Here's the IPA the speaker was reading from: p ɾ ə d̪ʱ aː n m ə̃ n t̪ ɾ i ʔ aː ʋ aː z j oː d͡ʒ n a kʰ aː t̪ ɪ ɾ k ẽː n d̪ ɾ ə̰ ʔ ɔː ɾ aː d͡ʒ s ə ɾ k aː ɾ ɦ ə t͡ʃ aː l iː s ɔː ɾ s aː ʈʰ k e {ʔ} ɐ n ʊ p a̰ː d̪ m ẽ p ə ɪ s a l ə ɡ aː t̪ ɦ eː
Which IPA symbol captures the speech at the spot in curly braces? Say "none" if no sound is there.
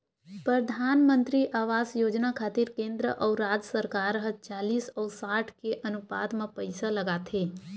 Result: ʔ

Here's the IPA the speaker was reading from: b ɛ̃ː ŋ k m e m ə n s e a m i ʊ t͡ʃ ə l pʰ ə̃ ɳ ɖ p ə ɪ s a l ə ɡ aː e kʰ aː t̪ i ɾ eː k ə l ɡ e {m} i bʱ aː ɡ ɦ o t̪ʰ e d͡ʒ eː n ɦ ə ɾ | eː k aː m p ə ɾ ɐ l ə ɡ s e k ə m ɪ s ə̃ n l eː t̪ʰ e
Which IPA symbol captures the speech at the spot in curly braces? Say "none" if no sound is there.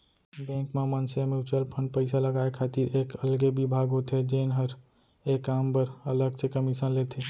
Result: b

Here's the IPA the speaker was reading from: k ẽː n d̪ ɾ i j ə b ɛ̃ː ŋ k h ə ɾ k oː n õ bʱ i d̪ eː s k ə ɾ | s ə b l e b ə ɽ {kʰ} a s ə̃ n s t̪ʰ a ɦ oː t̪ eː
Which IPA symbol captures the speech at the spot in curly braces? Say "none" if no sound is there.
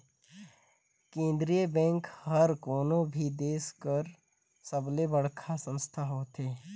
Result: kʰ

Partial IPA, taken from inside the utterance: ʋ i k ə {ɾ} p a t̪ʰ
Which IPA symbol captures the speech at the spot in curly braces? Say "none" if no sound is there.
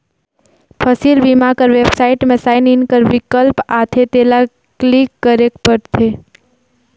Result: l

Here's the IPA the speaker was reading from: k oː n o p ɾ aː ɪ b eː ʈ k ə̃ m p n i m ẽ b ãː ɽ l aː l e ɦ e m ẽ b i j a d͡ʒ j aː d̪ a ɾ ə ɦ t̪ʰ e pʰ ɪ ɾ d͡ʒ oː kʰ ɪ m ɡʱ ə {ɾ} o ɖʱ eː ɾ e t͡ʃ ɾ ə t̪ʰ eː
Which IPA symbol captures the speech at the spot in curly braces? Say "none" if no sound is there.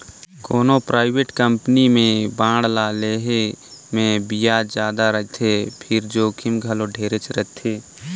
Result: l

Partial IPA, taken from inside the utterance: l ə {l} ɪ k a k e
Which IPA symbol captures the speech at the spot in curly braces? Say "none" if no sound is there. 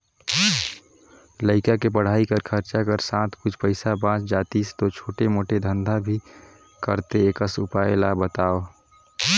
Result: none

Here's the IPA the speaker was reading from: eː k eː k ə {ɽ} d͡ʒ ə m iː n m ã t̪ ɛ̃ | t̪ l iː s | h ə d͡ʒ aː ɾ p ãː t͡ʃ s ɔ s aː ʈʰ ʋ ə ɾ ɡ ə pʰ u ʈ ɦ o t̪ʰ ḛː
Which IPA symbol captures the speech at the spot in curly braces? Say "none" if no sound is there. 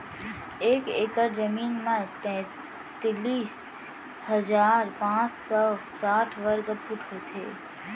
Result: ɾ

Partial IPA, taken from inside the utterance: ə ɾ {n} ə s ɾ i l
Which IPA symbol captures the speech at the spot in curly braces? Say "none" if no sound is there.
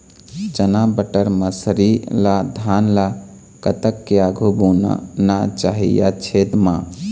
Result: m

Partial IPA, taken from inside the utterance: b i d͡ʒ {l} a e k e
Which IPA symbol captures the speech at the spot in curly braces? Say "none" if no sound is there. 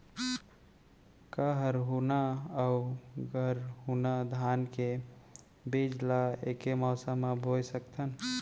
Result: l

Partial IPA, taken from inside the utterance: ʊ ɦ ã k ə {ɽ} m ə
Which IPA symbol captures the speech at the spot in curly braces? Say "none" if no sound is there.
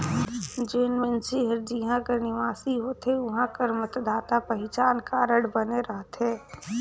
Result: ɾ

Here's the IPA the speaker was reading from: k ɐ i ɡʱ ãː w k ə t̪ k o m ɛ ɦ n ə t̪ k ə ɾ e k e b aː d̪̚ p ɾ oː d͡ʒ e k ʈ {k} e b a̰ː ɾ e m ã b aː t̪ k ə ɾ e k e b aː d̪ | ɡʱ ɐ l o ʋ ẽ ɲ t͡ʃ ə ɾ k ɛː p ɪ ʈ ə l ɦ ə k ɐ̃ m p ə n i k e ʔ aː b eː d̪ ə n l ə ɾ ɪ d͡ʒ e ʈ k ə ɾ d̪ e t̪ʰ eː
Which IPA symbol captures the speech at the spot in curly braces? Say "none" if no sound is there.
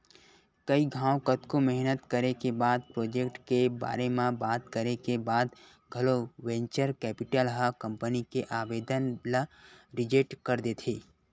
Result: k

